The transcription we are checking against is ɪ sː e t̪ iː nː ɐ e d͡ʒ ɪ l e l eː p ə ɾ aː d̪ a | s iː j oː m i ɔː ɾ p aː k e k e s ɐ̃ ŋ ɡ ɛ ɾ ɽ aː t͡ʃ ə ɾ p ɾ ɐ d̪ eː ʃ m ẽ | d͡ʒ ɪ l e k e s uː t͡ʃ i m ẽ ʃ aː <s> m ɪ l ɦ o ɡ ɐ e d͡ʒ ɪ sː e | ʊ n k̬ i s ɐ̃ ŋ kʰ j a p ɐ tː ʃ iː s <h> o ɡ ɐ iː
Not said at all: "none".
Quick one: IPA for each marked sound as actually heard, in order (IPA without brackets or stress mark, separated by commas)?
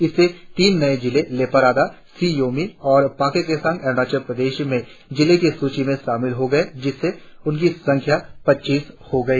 none, h